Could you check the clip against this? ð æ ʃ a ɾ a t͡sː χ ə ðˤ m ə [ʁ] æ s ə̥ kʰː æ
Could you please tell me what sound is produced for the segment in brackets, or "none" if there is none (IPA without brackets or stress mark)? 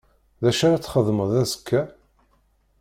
ð